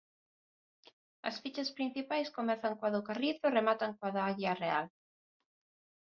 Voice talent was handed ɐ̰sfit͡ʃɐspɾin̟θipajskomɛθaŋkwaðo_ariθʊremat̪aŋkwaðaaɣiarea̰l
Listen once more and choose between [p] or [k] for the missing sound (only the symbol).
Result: k